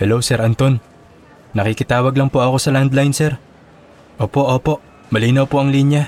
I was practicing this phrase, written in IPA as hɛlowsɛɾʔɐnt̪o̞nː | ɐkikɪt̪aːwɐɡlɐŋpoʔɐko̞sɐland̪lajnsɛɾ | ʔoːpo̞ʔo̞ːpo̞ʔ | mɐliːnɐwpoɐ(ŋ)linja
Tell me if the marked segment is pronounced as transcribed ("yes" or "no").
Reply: yes